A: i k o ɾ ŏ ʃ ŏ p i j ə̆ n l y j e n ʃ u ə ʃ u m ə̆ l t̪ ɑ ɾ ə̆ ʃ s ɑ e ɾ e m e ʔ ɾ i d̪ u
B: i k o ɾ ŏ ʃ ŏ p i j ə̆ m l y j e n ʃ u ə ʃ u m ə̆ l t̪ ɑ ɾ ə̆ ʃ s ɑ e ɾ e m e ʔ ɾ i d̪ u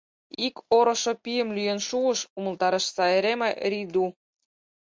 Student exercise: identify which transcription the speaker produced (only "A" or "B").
B